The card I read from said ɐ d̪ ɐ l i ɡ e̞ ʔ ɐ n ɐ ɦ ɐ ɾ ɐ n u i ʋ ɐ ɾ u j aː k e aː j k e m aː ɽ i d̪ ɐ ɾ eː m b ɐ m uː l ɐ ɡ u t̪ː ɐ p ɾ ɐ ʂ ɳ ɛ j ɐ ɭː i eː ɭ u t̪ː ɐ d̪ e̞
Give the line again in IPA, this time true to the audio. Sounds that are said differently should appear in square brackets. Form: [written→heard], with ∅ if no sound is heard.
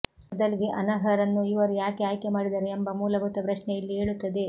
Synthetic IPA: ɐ d̪ ɐ l i ɡ e̞ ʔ ɐ n ɐ ɦ ɐ ɾ ɐ [n→nː] u i ʋ ɐ ɾ u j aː k e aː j k e m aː ɽ i d̪ ɐ ɾ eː m b ɐ m uː l ɐ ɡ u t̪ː ɐ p ɾ ɐ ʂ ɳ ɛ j ɐ [ɭː→lː] i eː ɭ u t̪ː ɐ d̪ e̞